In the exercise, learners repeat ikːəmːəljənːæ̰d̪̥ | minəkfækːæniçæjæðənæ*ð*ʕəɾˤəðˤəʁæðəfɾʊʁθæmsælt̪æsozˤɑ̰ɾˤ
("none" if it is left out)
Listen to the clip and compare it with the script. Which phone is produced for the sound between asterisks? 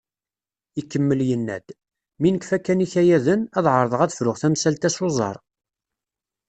ð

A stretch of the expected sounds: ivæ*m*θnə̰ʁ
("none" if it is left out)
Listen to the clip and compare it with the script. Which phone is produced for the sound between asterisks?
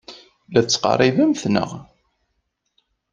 m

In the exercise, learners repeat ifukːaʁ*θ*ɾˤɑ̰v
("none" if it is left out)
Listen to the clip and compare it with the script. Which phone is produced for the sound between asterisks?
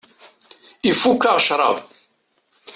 ʃ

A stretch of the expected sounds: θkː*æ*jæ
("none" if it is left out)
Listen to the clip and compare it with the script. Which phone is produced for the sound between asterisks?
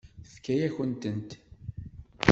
æ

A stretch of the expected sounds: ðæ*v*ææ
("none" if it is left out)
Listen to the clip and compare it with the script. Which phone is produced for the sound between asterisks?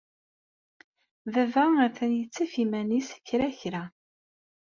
v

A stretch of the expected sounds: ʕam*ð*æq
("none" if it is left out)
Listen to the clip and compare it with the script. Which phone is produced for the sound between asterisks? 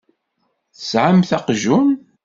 θ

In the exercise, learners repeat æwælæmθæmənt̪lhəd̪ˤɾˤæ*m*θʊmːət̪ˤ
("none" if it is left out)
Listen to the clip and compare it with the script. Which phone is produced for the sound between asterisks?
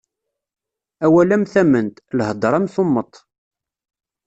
m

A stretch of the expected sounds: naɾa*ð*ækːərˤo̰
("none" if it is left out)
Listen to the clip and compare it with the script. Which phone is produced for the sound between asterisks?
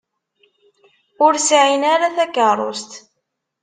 θ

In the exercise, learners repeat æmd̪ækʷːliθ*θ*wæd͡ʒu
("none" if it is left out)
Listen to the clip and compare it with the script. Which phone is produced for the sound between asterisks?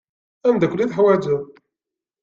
ħ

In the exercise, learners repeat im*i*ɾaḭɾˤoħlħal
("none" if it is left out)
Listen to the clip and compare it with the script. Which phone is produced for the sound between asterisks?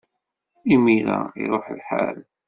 i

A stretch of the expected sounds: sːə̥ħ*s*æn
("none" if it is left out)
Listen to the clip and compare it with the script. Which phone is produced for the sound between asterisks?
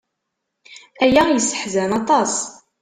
z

